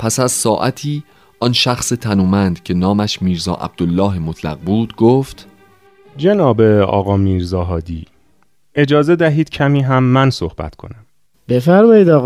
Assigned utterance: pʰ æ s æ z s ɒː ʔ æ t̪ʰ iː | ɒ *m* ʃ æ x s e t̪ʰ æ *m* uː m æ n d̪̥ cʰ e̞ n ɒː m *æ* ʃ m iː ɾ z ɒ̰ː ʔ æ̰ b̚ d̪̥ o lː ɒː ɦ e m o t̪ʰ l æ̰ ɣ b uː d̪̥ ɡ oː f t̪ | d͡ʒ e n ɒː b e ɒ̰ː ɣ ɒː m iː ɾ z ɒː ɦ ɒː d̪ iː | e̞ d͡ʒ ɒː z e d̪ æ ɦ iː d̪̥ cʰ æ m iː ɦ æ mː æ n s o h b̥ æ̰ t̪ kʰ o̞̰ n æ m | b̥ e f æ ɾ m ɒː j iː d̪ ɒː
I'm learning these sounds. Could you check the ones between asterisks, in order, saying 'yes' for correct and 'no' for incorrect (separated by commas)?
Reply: no, no, yes